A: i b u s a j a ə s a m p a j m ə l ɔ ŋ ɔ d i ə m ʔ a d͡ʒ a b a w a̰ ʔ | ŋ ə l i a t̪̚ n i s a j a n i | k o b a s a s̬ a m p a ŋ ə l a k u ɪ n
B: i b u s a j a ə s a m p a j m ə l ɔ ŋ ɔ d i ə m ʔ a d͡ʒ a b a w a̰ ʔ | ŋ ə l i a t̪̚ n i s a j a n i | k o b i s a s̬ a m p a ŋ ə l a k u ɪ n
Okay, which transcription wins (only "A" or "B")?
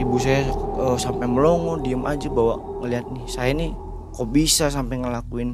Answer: B